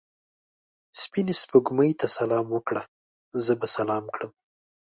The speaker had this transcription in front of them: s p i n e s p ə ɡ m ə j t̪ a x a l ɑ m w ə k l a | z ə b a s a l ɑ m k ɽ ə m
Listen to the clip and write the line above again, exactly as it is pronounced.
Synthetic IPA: s p i n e s p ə ɡ m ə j t̪ a s a l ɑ m w ə k ɽ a | z ə b a s a l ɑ m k ɽ ə m